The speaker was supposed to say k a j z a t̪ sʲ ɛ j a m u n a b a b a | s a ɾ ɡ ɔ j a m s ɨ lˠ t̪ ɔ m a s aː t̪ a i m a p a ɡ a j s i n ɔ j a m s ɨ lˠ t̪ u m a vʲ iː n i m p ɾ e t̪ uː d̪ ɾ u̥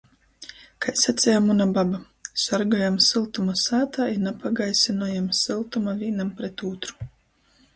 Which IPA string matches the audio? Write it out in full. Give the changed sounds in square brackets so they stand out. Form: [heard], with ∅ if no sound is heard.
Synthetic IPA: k a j [s] a t̪ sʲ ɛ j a m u n a b a b a | s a ɾ ɡ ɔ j a m s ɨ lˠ t̪ [u] m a s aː t̪ a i [n] a p a ɡ a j s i n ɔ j a m s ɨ lˠ t̪ u m a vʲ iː n [a] m p ɾ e t̪ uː [t̪] ɾ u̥